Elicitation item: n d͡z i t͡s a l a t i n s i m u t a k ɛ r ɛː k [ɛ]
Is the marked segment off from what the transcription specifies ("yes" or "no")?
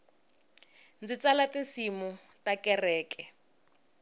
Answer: no